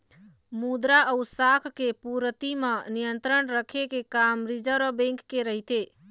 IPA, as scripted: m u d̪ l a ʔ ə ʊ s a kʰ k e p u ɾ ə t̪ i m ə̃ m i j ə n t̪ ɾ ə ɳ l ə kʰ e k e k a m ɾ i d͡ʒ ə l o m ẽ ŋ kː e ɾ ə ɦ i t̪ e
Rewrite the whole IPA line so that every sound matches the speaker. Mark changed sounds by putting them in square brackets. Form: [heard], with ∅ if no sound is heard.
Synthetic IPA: m u d̪ [ɾ] a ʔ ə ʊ s a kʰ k e p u ɾ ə t̪ i m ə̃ [n] i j ə n t̪ ɾ ə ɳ [ɾ] ə kʰ e k e k a m ɾ i d͡ʒ ə [ɾ] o [b] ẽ ŋ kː e ɾ ə ɦ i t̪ e